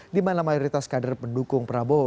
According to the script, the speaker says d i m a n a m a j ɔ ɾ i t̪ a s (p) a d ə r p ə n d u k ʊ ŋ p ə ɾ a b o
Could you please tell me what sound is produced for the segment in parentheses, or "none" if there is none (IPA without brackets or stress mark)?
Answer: k